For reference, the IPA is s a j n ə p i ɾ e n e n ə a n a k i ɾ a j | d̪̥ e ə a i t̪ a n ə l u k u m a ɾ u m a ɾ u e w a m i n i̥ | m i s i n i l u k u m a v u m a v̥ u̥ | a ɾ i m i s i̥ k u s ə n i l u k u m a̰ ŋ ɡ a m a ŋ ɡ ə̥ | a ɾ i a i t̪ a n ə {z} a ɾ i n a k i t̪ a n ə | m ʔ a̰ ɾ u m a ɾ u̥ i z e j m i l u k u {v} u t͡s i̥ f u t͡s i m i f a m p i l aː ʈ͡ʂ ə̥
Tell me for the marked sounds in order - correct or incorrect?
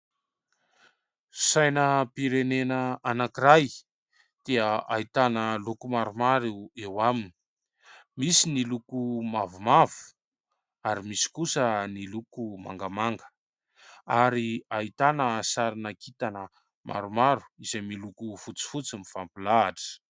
incorrect, incorrect

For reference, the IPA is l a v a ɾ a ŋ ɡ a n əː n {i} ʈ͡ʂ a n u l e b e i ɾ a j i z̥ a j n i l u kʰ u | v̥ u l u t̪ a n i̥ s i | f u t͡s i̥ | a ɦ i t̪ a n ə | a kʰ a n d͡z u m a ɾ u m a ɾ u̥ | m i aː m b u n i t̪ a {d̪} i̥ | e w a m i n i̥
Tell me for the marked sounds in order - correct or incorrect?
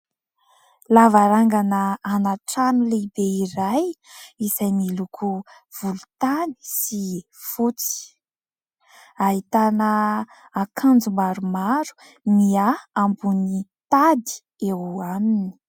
incorrect, correct

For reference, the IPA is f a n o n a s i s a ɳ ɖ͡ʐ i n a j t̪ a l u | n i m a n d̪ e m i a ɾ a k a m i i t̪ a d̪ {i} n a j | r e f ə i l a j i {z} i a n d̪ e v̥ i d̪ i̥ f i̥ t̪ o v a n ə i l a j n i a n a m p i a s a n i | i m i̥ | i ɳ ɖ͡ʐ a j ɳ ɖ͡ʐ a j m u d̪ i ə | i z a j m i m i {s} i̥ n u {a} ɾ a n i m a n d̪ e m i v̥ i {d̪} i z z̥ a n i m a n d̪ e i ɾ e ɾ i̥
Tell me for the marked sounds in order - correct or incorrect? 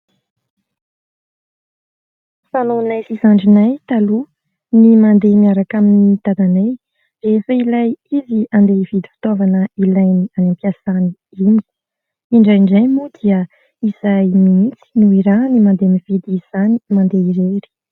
incorrect, correct, incorrect, incorrect, correct

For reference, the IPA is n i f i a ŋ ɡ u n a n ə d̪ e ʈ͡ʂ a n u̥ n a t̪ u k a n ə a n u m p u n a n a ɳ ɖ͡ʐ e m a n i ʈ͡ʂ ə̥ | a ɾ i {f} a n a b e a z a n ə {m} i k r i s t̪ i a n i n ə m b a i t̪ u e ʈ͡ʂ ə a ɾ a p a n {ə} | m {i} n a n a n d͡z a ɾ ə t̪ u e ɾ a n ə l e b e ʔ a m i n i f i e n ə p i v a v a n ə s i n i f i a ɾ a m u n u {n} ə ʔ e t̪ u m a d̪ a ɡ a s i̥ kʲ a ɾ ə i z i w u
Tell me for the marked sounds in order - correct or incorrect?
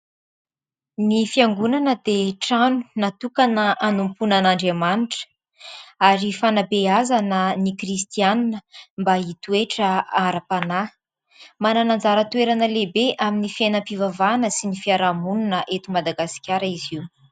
correct, incorrect, incorrect, incorrect, correct

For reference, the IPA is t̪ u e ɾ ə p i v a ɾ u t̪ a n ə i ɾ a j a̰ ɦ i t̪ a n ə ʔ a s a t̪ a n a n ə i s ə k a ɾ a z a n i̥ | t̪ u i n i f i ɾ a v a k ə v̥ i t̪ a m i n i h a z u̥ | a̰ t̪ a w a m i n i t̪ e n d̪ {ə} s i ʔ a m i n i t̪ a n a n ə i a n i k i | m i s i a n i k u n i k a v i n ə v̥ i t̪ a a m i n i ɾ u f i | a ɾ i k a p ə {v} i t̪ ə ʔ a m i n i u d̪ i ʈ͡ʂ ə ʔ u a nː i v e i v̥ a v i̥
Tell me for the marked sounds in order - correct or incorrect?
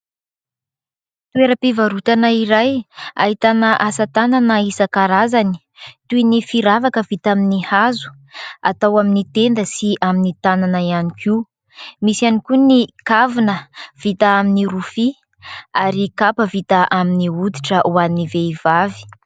correct, correct

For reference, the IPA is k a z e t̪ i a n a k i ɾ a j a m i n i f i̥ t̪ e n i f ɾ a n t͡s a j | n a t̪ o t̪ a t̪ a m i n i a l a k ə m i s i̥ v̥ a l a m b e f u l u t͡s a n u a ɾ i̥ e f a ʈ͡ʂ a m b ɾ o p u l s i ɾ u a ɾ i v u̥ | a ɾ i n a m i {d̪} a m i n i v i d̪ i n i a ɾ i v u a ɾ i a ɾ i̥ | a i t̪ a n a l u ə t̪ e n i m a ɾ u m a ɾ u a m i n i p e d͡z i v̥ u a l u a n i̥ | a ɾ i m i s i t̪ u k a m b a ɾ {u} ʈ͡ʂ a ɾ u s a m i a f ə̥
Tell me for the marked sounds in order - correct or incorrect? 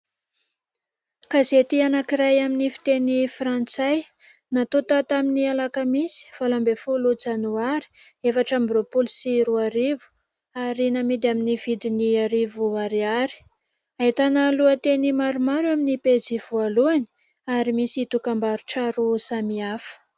correct, correct

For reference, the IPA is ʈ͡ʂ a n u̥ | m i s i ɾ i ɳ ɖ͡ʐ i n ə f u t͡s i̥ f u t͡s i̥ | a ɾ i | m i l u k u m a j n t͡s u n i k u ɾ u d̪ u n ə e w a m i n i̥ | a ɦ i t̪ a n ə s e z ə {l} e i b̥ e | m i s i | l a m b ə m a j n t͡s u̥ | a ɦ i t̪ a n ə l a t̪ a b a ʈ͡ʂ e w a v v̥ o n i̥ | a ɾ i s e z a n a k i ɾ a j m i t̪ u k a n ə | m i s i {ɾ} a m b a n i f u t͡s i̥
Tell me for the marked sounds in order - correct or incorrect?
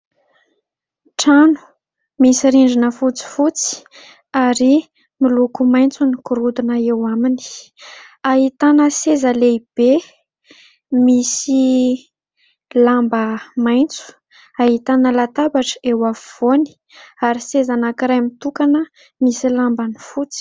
correct, incorrect

